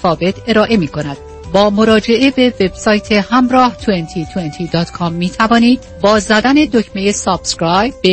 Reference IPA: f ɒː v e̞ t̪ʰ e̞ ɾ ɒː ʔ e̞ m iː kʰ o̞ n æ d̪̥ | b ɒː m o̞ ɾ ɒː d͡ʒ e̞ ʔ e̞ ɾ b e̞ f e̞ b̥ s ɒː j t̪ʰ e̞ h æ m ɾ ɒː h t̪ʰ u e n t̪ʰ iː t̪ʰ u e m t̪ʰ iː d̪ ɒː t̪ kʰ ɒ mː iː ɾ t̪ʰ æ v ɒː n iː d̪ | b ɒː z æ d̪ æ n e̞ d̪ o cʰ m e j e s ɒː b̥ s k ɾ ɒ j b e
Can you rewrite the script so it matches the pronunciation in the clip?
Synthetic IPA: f ɒː v e̞ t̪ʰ e̞ ɾ ɒː ʔ e̞ m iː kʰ o̞ n æ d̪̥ | b ɒː m o̞ ɾ ɒː d͡ʒ e̞ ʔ e̞ b e̞ v e̞ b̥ s ɒː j t̪ʰ e̞ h æ m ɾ ɒː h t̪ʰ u e n t̪ʰ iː t̪ʰ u e n t̪ʰ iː d̪ ɒː t̪ kʰ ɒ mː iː t̪ʰ æ v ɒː n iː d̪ | b ɒː z æ d̪ æ n e̞ d̪ o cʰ m e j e s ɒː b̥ s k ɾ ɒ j b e